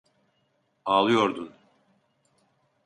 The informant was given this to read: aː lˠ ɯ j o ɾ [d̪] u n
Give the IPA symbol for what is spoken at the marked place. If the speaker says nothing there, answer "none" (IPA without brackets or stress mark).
d̪